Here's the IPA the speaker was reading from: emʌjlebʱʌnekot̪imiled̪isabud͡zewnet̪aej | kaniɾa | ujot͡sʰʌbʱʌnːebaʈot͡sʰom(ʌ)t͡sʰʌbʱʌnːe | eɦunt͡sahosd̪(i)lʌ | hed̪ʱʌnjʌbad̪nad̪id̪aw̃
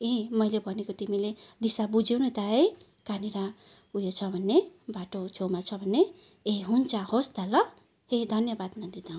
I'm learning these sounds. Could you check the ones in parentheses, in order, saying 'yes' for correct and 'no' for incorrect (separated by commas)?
no, no